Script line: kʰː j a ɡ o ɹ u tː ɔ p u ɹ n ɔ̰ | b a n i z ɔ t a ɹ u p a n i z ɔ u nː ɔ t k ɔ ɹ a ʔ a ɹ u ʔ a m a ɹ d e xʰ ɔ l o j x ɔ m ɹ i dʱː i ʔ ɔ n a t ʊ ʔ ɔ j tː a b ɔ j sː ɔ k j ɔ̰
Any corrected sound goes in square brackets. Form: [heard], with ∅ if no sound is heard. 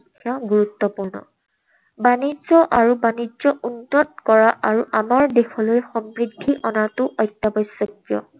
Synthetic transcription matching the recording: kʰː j a ɡ [u] ɹ u tː ɔ p u ɹ n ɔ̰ | b a n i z ɔ [ʔ] a ɹ u [b] a n i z ɔ u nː ɔ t k ɔ ɹ a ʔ a ɹ u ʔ a m a ɹ d e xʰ ɔ l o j x ɔ m ɹ i dʱː i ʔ ɔ n a t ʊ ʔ ɔ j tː a b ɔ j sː ɔ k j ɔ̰